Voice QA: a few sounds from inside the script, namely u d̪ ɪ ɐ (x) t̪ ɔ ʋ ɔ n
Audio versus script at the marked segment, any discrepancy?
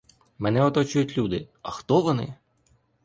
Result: no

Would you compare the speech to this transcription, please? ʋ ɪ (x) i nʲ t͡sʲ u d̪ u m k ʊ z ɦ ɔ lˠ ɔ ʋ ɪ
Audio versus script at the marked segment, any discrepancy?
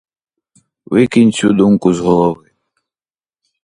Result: yes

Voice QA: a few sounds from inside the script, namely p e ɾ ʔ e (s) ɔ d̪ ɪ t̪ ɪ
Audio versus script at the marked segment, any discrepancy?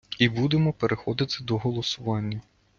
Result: yes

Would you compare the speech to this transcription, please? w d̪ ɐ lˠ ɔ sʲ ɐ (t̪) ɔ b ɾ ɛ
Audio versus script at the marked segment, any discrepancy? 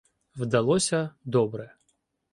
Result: yes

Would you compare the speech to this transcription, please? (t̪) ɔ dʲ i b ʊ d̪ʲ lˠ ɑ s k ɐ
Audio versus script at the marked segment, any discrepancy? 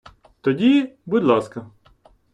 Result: no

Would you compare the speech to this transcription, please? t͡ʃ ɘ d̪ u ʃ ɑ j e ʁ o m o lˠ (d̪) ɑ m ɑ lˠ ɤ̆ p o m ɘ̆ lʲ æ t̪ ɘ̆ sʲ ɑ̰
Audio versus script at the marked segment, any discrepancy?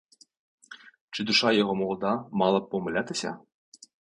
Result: no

